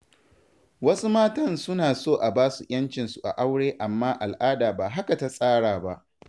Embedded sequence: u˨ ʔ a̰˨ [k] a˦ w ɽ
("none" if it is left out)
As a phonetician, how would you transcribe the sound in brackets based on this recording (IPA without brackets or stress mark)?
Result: ʔ